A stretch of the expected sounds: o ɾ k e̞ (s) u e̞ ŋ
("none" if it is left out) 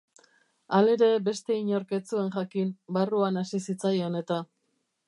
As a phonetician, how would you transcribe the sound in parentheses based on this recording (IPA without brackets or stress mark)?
t͡s